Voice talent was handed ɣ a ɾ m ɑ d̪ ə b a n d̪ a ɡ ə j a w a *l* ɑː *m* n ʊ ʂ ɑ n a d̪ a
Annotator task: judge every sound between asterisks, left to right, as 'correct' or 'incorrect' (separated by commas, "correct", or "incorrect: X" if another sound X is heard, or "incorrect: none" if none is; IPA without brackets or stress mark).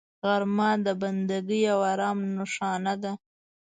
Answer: incorrect: ɾ, correct